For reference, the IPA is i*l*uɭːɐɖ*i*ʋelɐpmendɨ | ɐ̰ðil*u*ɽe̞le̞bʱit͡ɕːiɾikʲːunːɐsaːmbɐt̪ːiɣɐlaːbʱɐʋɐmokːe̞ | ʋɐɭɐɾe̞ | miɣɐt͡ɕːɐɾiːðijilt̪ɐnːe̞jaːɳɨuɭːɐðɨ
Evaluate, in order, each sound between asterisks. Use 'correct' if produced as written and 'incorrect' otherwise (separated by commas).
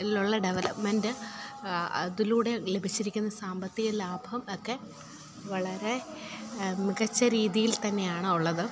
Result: correct, incorrect, incorrect